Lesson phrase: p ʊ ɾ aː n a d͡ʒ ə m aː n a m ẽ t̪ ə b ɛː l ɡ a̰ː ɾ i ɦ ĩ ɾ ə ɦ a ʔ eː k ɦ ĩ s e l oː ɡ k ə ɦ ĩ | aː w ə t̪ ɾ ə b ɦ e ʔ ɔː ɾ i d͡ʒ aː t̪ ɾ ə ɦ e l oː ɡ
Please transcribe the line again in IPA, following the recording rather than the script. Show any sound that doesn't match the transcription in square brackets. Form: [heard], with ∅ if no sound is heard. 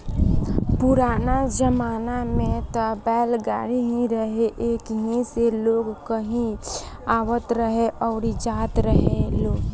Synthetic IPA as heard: p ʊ ɾ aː n a d͡ʒ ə m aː n a m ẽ t̪ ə b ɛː l ɡ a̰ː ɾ i ɦ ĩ ɾ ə ɦ [e] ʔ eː k ɦ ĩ s e l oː ɡ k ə ɦ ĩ | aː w ə t̪ ɾ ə [∅] ɦ e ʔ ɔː ɾ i d͡ʒ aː t̪ ɾ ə ɦ e l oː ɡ